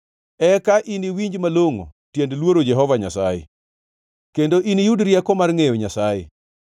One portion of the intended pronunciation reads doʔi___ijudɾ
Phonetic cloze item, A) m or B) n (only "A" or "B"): B